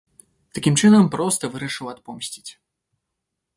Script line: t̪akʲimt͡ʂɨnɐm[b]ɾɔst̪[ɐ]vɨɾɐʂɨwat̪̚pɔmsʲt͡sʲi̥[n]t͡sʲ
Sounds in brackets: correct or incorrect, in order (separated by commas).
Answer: incorrect, correct, incorrect